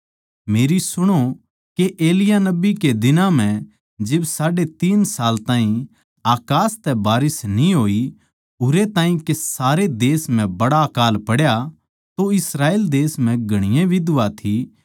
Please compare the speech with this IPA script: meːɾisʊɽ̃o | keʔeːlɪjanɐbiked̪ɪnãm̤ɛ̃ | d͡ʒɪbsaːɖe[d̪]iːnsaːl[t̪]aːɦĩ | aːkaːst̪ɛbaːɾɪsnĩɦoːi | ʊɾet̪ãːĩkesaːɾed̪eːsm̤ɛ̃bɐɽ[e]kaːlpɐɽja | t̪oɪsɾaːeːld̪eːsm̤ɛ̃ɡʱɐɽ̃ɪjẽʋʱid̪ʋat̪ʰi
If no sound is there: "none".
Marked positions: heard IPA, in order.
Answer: t̪, t̪, a

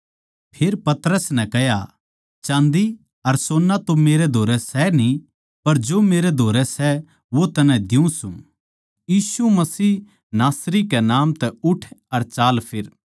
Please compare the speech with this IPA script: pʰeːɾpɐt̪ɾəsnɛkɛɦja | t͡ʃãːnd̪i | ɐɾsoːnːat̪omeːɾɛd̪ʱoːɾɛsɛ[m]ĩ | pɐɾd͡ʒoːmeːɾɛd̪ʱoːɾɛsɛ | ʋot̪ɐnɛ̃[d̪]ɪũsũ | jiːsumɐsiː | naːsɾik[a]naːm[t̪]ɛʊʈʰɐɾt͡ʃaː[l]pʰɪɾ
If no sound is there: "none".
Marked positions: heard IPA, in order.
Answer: n, d̪, ɛ, t̪, l

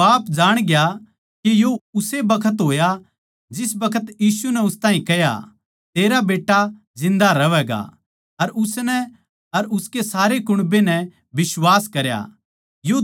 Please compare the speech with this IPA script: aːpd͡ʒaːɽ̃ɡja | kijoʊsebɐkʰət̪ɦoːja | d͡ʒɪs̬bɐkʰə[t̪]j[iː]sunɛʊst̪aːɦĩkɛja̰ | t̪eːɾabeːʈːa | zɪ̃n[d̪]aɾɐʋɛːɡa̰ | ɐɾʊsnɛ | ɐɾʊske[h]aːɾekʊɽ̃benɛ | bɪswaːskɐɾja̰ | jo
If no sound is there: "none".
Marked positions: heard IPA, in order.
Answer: t̪, iː, d̪, s

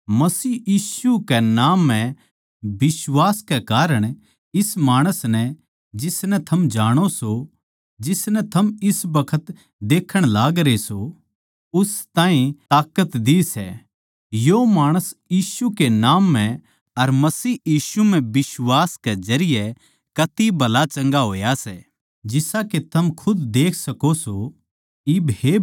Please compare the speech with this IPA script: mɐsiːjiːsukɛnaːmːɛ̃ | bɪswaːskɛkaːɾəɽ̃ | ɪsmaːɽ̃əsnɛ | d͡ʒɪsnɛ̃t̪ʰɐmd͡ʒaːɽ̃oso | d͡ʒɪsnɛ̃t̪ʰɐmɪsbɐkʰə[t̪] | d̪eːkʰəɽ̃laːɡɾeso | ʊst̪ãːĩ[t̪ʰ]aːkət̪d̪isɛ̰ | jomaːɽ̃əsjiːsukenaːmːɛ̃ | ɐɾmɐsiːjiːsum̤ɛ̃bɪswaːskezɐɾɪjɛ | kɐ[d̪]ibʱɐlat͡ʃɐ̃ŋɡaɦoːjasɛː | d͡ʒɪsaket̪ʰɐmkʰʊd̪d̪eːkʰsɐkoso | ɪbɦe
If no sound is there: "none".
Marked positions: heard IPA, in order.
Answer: t̪, t̪, t̪

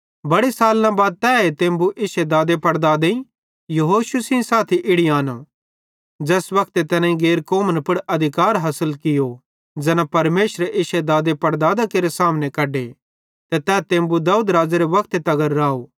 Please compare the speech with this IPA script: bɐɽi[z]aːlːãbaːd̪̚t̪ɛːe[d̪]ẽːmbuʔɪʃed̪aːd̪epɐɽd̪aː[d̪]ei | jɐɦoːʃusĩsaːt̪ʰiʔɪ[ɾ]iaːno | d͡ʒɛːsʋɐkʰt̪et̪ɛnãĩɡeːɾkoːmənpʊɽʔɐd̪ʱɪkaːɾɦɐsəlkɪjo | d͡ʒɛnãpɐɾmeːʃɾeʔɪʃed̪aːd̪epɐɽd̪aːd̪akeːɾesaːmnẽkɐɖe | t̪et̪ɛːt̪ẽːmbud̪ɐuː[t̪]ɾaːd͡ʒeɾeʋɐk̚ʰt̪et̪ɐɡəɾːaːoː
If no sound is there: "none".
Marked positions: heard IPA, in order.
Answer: s, t̪, d̪, ɽ, d̪

